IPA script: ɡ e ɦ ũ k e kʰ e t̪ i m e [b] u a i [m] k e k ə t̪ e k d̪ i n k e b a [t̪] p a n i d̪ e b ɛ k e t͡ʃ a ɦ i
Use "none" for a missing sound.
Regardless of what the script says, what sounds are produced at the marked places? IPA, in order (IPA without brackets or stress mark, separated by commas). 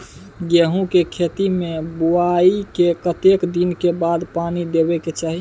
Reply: b, none, d̪